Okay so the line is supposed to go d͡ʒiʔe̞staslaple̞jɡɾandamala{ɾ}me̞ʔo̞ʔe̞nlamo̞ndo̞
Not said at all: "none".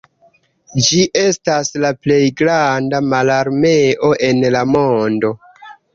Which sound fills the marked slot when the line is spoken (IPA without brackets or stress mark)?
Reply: ɾ